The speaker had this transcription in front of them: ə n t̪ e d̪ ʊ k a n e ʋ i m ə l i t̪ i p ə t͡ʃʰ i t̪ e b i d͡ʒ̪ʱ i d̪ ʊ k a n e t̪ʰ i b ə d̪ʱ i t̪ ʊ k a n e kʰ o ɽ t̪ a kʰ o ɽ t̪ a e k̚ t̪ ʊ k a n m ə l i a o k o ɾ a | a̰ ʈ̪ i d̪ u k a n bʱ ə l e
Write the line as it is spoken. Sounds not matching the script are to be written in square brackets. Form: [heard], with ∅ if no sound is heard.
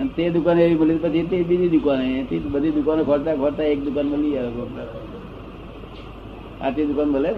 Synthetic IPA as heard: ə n t̪ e d̪ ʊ k a n e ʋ i m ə l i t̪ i p ə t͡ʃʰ i t̪ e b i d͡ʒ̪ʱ i d̪ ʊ k a n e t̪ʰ i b ə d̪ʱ i [d̪] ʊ k a n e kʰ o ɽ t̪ a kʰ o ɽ t̪ a e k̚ [d̪] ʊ k a n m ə l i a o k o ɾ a | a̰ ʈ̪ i d̪ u k a n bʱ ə l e